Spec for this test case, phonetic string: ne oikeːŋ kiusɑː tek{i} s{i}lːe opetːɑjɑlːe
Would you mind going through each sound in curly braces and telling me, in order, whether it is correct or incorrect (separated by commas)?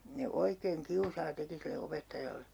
correct, correct